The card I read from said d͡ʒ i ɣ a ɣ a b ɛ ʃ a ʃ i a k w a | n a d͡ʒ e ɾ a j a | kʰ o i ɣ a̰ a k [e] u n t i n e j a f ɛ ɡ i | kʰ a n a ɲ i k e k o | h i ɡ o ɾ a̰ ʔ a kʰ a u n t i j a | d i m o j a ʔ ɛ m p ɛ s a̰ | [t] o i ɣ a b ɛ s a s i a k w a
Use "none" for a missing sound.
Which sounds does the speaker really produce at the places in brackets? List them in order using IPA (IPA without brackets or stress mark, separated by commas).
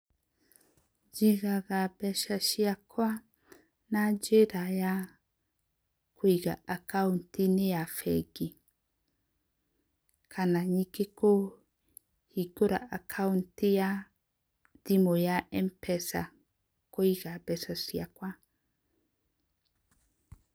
a, k